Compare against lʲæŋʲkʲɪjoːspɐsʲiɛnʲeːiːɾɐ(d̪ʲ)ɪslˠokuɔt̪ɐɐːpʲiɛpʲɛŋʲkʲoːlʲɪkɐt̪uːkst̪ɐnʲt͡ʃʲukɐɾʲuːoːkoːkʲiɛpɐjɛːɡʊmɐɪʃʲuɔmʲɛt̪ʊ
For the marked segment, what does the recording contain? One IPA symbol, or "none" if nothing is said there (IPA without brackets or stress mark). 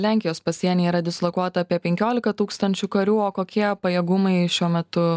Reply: d̪ʲ